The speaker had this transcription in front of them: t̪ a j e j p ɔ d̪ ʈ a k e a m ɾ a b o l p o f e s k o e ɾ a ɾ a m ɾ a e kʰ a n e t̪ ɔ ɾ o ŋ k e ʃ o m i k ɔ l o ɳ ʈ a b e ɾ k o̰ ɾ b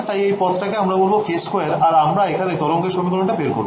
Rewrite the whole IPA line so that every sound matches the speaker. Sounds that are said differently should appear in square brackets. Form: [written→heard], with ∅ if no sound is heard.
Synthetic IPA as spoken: t̪ a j e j p ɔ [d̪→t̪] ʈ a k e a m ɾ a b o l [p→b] o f e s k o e ɾ a ɾ a m ɾ a e kʰ a n e t̪ ɔ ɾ o ŋ k e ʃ o m i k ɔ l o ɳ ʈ a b e ɾ k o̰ ɾ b